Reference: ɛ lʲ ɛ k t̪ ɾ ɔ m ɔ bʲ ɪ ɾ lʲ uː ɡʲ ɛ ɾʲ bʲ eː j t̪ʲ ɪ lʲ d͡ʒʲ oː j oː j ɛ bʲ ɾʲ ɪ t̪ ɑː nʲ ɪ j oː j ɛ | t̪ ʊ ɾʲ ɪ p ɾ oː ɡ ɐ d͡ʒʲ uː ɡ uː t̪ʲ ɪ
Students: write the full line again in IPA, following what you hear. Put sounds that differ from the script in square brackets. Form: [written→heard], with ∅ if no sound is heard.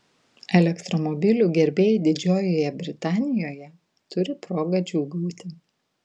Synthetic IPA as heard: ɛ lʲ ɛ k t̪ ɾ ɔ m ɔ bʲ ɪ [ɾ→∅] lʲ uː ɡʲ ɛ ɾʲ bʲ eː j [t̪ʲ→d̪ʲ] ɪ [lʲ→∅] d͡ʒʲ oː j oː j ɛ bʲ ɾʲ ɪ t̪ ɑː nʲ ɪ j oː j ɛ | t̪ ʊ ɾʲ ɪ p ɾ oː ɡ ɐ d͡ʒʲ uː ɡ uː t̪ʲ ɪ